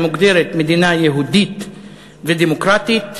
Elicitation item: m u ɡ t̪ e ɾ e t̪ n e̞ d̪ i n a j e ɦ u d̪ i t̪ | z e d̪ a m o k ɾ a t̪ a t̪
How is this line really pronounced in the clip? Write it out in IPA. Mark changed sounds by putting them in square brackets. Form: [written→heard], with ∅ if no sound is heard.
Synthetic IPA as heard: m u ɡ [t̪→d̪] e ɾ e t̪ [n→m] e̞ d̪ i n a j e ɦ u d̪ i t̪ | [z→v] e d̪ [a→e] m o k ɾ a t̪ [a→i] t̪

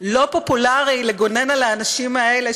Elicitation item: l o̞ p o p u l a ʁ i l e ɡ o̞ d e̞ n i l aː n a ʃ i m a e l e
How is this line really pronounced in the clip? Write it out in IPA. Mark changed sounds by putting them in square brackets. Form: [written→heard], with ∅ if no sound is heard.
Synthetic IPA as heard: l o̞ p o p u l a ʁ i l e ɡ o̞ [d→n] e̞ n [i→a] l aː n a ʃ i m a e l e

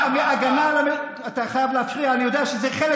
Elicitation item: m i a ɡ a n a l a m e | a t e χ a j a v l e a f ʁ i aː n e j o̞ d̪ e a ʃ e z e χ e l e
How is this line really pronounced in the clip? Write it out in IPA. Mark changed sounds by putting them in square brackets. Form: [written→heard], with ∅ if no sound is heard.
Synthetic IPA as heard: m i a ɡ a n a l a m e | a t [e→a] χ a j a v l e a f ʁ i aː n [e→i] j o̞ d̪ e a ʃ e z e χ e l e

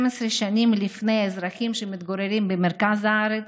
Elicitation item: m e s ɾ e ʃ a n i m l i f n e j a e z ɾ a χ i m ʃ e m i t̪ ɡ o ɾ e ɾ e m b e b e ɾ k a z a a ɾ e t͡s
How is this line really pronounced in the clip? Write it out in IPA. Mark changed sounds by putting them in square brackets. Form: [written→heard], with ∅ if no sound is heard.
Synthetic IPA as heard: m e s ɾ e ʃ a n i m l i f n e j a e z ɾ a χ i m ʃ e m i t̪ ɡ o ɾ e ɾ [e→i] m b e [b→m] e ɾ k a z a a ɾ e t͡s

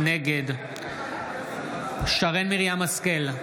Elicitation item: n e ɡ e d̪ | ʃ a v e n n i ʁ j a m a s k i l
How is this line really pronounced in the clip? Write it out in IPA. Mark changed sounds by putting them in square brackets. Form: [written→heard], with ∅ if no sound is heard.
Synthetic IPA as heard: n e ɡ e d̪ | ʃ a [v→ʁ] e n [n→m] i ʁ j a m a s k [i→e] l

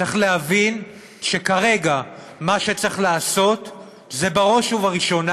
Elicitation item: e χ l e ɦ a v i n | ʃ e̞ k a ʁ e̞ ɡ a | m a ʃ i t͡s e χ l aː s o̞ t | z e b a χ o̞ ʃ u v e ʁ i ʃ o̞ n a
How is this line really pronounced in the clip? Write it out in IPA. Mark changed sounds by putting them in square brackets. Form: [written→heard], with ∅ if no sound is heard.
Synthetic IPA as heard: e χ l e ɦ a v i n | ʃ e̞ k a ʁ e̞ ɡ a | m a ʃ [i→e] t͡s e χ l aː s o̞ t | z e b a [χ→ʁ] o̞ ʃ u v [e→a] ʁ i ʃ o̞ n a

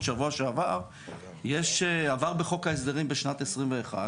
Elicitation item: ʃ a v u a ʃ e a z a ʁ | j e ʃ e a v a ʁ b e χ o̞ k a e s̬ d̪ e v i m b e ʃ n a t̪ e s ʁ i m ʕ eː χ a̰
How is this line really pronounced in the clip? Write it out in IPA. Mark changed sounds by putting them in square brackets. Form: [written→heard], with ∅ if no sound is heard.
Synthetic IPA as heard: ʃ a v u a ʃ e a [z→v] a ʁ | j e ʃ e a v a ʁ b e χ o̞ k a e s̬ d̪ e [v→ʁ] i m b e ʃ n a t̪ e s ʁ i m [ʕ→v] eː χ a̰

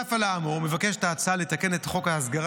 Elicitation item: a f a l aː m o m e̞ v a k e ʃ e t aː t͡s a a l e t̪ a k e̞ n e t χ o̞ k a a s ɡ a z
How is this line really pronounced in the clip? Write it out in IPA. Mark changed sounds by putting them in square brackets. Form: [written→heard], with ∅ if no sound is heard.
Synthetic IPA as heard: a f a l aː m o m e̞ v a k e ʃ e t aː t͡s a a l e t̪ a k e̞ n e t χ o̞ k a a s ɡ a [z→ʁ]

